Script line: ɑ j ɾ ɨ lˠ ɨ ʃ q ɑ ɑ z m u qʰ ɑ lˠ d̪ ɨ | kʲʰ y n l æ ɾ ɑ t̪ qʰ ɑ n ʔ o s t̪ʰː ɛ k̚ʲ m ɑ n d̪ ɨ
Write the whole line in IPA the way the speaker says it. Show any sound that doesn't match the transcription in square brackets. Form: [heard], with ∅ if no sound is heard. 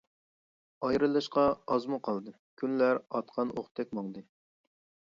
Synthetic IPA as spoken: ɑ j ɾ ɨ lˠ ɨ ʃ q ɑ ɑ z m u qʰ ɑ lˠ d̪ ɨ | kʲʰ y n l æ ɾ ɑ t̪ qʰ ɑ n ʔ o [χ] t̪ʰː ɛ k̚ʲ m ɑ [ŋ] d̪ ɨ